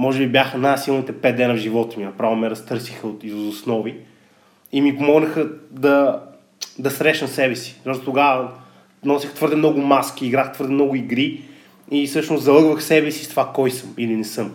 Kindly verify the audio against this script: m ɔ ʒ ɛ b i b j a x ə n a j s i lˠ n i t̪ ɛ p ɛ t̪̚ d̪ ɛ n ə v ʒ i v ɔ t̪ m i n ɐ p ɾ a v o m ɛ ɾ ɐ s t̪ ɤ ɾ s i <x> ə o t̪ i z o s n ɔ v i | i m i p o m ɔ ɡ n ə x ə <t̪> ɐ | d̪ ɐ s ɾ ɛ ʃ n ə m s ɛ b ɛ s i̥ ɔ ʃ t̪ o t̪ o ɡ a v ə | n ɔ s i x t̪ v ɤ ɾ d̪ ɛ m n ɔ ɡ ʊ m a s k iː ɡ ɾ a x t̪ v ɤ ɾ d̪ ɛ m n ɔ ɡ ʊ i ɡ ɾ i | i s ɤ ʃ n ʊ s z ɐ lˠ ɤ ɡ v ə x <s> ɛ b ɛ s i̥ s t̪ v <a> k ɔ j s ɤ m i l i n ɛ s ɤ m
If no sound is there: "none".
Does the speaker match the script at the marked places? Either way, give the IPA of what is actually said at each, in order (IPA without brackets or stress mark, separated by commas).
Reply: x, d̪, s, a